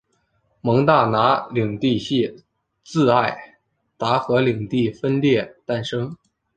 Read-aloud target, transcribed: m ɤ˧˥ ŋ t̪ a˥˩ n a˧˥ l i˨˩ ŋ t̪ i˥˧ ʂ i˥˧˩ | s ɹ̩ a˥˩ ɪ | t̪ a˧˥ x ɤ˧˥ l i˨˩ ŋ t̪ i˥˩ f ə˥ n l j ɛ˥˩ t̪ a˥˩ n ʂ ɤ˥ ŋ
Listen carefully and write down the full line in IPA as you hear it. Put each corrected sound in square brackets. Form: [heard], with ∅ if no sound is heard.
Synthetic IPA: m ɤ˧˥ ŋ t̪ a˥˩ n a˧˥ l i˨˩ ŋ t̪ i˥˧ [ɕ] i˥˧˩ | [t͡s] ɹ̩ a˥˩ ɪ | t̪ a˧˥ x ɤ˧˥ l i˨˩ ŋ t̪ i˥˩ f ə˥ n l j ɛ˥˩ t̪ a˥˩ n ʂ ɤ˥ ŋ